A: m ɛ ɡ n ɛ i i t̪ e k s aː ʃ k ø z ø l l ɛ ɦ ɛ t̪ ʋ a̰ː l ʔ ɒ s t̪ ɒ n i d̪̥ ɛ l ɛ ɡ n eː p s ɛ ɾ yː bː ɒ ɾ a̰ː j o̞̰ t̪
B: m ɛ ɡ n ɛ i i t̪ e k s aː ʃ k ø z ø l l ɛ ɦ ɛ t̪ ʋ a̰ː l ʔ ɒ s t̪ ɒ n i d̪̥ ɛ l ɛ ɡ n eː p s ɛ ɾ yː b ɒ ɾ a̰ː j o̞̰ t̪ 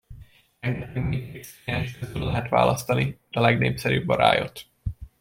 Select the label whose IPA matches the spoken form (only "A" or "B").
A